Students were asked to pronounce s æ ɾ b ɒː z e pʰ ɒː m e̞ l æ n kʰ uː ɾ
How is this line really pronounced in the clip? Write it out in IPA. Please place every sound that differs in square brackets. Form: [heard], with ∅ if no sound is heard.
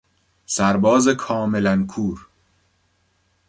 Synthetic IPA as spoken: s æ ɾ b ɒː z e [kʰ] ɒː m e̞ l æ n kʰ uː ɾ